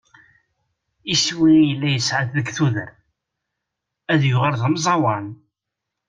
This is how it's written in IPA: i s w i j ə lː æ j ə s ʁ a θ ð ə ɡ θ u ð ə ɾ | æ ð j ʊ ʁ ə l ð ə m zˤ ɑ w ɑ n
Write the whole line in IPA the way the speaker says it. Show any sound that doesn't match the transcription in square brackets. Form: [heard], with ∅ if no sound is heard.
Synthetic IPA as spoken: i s w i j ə lː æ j ə s [ʕ] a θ ð ə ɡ θ u ð ə ɾ | æ ð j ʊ ʁ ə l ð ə m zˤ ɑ w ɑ n

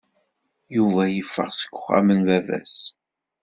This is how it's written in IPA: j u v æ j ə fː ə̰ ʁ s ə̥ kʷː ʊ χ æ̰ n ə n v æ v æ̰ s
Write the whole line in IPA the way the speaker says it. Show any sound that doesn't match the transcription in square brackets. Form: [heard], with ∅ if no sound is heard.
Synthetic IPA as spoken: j u v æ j ə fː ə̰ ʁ s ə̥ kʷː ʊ χ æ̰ [m] ə n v æ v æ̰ s

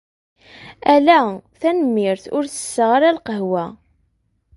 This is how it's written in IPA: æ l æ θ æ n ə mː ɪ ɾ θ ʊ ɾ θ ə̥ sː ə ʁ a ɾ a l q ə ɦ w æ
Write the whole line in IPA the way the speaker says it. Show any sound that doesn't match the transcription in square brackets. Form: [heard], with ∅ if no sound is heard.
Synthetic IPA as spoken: æ l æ θ æ n ə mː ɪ ɾ θ ʊ ɾ θ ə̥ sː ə ʁ a ɾ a l q ə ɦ w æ

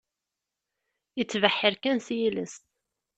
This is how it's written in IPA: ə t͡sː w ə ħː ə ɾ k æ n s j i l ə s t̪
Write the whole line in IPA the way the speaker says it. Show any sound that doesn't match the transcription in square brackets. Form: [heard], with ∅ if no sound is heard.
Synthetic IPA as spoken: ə t͡sː [v] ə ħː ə ɾ k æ n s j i l ə s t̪

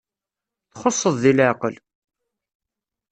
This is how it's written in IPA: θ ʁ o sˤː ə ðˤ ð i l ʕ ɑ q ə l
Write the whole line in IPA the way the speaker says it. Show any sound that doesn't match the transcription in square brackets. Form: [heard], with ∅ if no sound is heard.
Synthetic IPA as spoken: θ [χ] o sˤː ə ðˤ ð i l ʕ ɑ q ə l

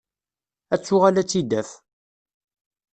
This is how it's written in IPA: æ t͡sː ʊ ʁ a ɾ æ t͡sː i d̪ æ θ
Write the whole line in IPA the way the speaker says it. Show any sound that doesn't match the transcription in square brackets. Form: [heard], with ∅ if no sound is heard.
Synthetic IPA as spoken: æ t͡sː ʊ ʁ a [l] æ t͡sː i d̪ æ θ

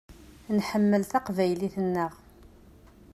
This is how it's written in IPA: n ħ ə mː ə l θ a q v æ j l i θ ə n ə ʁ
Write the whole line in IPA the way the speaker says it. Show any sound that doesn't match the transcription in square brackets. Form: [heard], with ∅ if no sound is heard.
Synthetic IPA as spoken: n ħ ə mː ə l θ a q v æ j l i θ ə [nː] ə ʁ

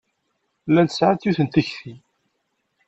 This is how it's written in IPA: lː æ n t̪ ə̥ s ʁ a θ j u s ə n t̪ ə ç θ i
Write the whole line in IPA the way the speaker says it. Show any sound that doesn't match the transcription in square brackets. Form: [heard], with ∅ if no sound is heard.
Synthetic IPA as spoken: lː æ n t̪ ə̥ s [ʕ] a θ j u [θ] ə n t̪ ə ç θ i

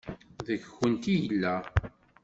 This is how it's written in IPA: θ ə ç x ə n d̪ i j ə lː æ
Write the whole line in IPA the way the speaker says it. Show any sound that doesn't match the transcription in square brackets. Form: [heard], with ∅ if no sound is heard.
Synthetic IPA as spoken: [ð] ə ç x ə n [t̪] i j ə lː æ

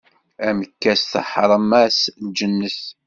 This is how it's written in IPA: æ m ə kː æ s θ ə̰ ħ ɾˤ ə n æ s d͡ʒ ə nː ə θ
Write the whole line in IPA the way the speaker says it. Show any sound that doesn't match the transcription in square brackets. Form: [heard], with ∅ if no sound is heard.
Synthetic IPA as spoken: æ m ə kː æ s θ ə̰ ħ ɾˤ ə [m] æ s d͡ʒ ə nː ə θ

